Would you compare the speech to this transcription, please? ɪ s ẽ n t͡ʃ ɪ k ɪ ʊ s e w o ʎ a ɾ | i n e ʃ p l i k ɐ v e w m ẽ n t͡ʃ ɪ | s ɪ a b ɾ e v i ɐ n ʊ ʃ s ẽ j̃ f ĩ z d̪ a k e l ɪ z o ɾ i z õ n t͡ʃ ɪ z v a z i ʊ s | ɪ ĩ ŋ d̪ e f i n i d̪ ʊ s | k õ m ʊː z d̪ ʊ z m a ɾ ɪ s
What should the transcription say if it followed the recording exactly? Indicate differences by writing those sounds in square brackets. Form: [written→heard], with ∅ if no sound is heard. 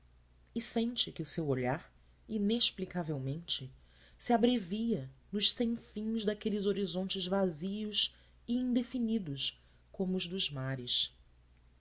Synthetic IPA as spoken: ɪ s ẽ n t͡ʃ ɪ k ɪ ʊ s e w o ʎ a ɾ | i n e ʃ p l i k [ɐ→a] v e w m ẽ n t͡ʃ ɪ | s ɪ a b ɾ e v i ɐ n ʊ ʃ s ẽ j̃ f ĩ z d̪ a k e l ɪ z o ɾ i z õ n t͡ʃ ɪ z v a z i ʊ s | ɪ ĩ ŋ d̪ e f i n i d̪ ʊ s | k õ m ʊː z d̪ ʊ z m a ɾ ɪ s